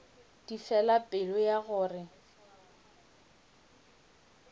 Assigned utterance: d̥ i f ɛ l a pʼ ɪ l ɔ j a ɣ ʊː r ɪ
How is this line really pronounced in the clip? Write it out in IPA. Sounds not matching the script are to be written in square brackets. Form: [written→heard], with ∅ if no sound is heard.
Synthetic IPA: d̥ i f ɛ l a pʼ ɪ l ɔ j a ɣ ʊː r ɪ